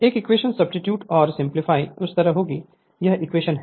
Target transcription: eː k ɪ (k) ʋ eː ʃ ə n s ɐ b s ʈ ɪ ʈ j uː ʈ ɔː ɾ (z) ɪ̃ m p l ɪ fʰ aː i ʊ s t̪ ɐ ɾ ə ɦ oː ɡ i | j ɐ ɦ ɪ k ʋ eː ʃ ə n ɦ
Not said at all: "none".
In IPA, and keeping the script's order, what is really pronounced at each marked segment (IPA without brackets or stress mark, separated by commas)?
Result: k, s